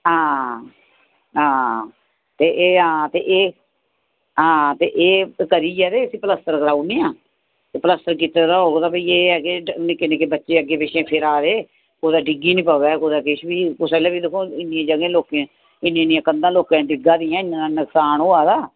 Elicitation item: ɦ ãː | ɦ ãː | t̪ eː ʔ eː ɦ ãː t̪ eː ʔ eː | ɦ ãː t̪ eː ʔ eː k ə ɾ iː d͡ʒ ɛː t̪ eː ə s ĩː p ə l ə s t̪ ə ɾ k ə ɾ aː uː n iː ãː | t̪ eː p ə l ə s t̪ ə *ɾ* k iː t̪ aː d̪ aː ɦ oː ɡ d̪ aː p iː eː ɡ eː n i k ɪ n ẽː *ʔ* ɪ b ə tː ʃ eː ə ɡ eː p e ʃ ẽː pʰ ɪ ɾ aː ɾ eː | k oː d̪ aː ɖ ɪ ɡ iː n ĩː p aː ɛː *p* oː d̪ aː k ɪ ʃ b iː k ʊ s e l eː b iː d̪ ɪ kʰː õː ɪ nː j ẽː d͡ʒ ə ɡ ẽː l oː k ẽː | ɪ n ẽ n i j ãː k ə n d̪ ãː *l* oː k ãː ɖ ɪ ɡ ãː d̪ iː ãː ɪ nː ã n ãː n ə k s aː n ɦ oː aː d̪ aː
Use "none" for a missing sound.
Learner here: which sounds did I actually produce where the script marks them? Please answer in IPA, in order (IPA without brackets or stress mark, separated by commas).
ɾ, k, k, l